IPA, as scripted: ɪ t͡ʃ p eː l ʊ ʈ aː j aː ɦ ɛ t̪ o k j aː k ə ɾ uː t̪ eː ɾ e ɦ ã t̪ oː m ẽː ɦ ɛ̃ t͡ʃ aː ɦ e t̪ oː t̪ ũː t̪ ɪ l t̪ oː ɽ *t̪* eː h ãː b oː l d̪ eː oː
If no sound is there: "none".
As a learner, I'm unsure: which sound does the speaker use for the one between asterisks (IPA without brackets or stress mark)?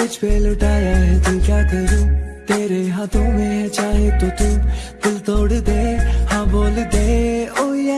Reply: d̪